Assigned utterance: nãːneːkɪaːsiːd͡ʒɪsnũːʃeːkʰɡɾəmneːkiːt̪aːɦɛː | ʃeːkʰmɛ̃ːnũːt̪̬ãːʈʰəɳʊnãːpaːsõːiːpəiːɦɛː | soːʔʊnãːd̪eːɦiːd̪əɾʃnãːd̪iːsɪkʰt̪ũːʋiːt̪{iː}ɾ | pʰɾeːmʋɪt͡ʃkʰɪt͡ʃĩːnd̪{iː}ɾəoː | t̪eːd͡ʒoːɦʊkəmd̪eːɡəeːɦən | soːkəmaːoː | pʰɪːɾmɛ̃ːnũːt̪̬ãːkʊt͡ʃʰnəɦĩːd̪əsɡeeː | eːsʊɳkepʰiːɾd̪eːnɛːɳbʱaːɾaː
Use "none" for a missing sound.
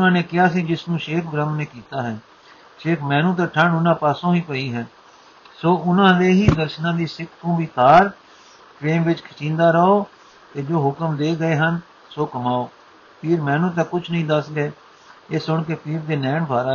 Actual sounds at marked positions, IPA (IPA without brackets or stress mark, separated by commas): aː, aː